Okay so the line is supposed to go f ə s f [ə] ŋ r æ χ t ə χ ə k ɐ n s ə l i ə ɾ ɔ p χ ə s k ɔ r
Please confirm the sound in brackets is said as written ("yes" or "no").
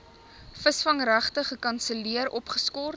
no